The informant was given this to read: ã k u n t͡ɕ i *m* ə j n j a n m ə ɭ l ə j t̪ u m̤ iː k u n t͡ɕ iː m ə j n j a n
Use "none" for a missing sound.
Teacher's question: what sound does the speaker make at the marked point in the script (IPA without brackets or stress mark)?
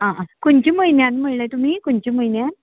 m